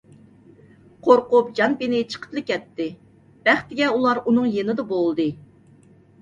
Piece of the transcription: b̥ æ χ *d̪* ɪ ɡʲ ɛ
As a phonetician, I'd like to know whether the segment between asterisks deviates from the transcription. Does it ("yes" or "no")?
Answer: yes